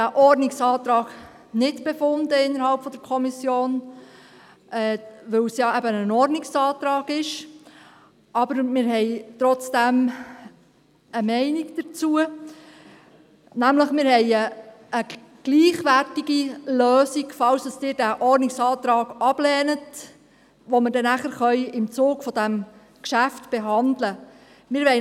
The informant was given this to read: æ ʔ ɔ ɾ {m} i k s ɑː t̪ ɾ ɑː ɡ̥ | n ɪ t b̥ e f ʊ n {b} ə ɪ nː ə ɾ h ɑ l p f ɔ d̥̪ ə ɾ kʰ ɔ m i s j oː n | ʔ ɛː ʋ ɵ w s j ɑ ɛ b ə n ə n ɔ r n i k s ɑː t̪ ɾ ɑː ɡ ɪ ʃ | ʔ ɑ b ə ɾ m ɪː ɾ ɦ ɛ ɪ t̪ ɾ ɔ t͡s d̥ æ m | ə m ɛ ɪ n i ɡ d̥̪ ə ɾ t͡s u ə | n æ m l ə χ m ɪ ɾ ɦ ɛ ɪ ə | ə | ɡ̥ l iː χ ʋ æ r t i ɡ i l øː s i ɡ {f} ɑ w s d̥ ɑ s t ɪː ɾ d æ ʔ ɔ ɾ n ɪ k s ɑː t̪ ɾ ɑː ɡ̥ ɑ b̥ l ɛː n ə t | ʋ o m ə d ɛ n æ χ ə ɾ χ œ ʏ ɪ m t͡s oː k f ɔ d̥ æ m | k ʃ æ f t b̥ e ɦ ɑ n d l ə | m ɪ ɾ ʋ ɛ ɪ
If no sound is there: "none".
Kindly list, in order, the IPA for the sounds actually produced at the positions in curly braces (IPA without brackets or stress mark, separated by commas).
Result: n, d, f